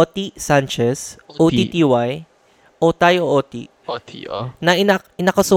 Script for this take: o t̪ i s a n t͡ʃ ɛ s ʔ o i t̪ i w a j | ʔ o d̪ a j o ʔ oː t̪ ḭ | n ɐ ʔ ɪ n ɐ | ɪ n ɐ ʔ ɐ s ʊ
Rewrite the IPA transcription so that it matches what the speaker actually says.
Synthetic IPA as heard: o t̪ i s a n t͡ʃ ɛ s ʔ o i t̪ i w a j | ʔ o t̪ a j o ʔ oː t̪ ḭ | n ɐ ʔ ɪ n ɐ | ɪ n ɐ k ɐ s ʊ